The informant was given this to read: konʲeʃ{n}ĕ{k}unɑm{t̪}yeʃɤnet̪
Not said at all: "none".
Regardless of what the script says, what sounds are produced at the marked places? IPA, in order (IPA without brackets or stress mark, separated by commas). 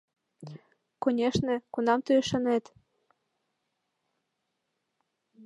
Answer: n, k, t̪